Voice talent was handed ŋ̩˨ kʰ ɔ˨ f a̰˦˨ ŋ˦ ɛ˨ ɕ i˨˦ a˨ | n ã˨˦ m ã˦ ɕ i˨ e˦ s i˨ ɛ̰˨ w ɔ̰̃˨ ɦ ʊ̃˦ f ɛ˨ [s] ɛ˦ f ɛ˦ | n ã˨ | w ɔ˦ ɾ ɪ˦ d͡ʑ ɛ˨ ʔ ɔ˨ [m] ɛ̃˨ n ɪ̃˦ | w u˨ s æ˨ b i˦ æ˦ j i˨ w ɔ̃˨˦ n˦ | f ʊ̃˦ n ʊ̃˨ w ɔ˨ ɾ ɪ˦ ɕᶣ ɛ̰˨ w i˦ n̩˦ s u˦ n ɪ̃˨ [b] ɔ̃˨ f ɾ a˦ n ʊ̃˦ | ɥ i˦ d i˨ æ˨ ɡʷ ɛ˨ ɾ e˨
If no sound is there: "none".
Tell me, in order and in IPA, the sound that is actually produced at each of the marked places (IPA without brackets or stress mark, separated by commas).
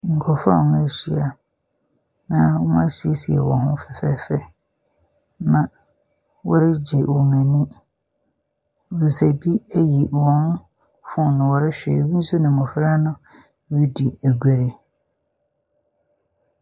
f, m, m